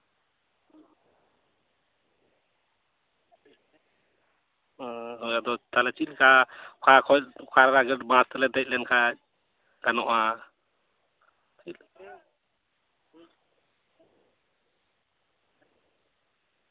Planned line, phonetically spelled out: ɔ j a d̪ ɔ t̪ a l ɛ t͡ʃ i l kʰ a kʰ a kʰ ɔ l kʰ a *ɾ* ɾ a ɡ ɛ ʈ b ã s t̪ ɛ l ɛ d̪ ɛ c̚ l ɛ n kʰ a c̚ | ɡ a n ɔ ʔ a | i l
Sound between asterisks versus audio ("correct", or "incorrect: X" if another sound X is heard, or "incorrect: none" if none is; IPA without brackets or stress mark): correct